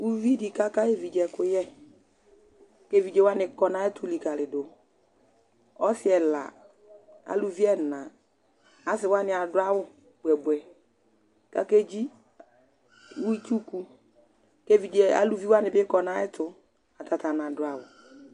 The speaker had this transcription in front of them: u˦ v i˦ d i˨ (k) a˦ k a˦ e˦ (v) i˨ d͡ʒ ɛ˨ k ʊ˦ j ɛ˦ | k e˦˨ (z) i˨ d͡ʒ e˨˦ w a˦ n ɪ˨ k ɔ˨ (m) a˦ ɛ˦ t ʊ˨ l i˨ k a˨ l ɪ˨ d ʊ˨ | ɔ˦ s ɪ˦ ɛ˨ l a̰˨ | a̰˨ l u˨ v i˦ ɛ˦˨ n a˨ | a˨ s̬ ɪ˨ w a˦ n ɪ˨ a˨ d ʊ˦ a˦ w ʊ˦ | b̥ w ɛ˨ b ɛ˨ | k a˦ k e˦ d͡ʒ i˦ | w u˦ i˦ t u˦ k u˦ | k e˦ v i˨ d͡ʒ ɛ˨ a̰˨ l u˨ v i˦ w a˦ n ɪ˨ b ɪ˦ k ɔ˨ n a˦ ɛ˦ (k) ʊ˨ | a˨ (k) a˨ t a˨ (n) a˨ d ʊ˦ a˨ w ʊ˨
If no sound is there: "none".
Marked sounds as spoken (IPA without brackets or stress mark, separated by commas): k, v, v, n, t, t, n